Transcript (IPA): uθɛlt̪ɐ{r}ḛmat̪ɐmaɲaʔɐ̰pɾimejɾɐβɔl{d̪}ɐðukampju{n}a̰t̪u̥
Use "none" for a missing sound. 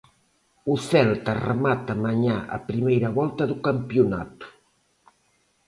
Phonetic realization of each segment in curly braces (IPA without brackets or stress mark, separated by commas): r, t̪, n